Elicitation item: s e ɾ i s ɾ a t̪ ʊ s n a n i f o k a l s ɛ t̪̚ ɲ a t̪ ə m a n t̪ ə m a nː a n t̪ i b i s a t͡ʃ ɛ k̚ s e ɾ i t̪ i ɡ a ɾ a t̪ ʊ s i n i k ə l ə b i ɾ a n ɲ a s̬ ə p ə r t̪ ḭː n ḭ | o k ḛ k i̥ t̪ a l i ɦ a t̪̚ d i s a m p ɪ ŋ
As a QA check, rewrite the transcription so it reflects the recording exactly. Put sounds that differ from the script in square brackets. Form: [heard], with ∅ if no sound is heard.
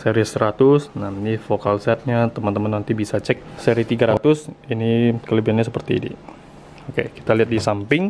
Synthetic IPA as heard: s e ɾ i s ɾ a t̪ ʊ s n a n i f o k a l s ɛ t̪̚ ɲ a t̪ ə m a n t̪ ə m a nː a n t̪ i b i s a t͡ʃ ɛ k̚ s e ɾ i t̪ i ɡ a ɾ a t̪ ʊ s i n i k ə l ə b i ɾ a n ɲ a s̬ ə p ə r t̪ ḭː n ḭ | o k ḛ k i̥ t̪ a l i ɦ a t̪̚ d i s a m p ɪ ŋ